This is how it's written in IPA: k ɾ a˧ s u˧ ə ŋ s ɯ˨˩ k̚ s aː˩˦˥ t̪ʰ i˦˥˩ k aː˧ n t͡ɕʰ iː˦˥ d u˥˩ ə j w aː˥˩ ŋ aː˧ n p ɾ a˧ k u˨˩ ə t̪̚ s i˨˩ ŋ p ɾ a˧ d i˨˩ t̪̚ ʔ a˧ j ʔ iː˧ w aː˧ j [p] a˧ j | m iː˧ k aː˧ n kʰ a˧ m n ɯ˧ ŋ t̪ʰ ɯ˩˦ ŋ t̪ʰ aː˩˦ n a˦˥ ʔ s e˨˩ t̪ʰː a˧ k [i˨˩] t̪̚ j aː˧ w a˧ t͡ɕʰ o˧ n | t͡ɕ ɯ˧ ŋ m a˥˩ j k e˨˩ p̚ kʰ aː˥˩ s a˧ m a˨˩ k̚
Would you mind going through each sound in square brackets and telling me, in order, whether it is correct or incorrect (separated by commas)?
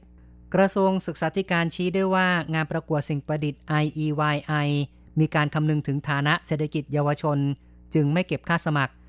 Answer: incorrect, correct